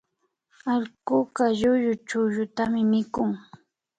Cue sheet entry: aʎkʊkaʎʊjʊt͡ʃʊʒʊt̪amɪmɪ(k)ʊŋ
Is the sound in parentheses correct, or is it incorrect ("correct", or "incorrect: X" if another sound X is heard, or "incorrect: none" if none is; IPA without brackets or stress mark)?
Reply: correct